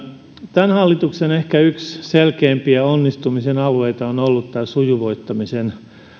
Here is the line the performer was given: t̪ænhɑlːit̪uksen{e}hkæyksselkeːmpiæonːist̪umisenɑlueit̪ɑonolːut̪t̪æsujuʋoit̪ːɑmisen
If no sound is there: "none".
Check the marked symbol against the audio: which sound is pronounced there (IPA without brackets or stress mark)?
e